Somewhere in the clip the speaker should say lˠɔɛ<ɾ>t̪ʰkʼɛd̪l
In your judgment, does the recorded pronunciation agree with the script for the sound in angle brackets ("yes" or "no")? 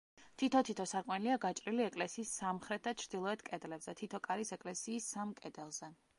no